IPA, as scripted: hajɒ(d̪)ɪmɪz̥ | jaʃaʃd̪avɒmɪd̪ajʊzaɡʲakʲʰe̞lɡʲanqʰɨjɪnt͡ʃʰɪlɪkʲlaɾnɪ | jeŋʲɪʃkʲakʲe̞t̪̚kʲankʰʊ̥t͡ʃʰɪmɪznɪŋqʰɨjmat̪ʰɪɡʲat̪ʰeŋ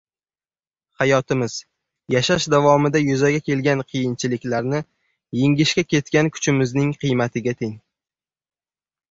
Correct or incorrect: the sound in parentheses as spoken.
incorrect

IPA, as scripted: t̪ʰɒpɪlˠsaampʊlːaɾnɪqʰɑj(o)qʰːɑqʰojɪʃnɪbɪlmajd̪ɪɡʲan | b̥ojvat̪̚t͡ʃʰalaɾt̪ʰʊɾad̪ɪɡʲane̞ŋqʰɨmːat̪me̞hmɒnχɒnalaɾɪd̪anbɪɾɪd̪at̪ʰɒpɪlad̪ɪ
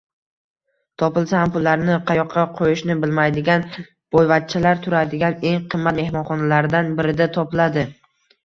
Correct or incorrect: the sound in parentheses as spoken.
incorrect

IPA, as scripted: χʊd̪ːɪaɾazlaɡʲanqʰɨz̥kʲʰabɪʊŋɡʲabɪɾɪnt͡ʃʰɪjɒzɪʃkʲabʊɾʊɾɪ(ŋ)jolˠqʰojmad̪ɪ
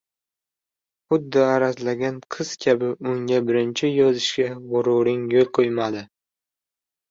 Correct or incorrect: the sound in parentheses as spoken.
correct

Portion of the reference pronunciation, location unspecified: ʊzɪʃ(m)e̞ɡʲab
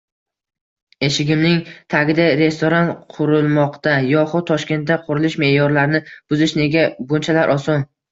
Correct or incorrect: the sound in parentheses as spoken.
incorrect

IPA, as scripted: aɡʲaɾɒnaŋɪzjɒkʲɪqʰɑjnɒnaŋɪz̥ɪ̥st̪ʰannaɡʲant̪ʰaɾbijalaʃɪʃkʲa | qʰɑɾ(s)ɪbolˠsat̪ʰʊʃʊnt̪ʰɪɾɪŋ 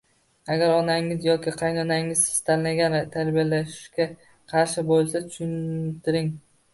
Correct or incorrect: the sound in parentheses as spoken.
incorrect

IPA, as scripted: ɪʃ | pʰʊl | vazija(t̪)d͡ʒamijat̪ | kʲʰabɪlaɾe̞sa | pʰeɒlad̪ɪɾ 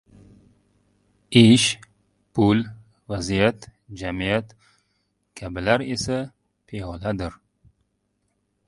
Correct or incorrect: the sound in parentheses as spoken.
correct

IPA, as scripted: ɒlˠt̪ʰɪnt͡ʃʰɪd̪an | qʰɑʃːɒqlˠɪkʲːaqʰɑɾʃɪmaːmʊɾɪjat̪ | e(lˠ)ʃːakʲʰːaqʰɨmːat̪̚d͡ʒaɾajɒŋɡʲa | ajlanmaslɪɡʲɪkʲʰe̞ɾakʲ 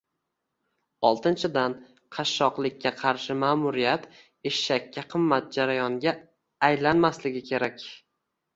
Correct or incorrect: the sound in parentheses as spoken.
incorrect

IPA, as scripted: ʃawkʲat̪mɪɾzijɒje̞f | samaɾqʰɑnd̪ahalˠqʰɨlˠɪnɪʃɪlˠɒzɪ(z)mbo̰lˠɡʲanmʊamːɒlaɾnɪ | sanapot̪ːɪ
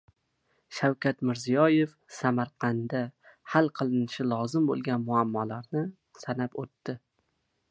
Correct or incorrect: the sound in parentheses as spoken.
incorrect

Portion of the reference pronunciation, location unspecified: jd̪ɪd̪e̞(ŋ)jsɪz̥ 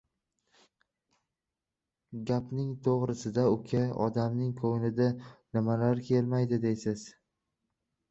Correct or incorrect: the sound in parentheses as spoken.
incorrect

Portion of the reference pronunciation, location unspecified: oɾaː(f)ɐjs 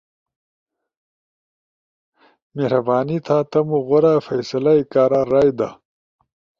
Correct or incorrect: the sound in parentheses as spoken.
correct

